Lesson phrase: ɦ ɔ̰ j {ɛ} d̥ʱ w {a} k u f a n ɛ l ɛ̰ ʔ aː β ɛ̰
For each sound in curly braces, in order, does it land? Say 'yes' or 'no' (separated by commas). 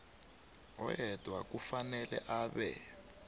yes, yes